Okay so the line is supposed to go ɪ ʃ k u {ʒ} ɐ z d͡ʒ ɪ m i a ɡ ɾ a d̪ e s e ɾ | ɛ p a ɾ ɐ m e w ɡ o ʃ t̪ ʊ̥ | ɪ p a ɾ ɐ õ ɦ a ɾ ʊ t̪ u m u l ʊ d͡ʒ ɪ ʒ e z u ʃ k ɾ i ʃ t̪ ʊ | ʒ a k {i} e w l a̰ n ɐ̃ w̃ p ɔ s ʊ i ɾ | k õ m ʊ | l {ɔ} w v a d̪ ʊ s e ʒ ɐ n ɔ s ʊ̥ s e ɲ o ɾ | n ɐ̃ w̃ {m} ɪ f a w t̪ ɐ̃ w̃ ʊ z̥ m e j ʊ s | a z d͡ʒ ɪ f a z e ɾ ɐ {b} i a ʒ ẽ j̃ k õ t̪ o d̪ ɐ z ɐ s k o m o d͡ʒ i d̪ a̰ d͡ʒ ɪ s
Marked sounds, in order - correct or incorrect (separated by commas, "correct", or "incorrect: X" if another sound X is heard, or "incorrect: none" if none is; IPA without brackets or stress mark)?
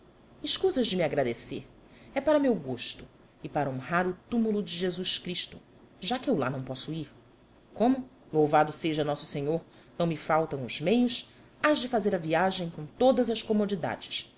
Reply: incorrect: z, incorrect: ɪ, incorrect: o, correct, incorrect: v